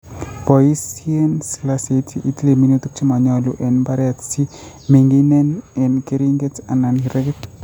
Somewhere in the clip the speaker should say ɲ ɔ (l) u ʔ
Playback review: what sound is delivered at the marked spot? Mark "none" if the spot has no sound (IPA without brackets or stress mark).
l